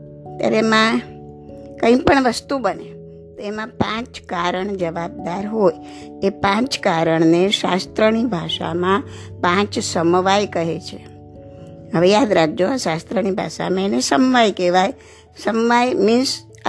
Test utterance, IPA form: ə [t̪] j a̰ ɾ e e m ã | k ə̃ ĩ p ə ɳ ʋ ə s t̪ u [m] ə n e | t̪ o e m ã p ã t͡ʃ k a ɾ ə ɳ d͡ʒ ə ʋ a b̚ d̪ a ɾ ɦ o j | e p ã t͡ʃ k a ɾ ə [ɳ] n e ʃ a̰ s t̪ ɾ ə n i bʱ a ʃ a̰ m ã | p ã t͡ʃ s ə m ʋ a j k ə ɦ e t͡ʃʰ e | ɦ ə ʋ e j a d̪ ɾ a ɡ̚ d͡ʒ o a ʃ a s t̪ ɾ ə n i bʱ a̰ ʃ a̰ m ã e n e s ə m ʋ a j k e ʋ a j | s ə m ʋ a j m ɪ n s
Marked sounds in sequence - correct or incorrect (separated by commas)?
correct, incorrect, correct